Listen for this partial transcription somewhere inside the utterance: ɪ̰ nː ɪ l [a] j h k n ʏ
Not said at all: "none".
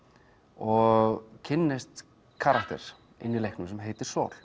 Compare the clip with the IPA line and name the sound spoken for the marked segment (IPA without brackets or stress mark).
e